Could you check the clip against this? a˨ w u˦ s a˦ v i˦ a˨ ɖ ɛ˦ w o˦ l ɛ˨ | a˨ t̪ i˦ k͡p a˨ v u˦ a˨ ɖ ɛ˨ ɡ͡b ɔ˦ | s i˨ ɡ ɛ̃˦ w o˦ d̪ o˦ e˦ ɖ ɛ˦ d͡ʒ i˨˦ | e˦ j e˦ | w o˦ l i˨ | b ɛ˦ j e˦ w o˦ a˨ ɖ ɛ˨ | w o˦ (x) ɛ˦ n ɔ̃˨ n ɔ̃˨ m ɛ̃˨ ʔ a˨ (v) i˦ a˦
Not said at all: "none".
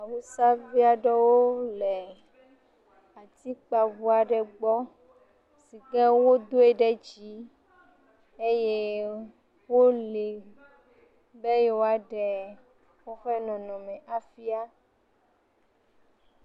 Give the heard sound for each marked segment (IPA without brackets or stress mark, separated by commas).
x, f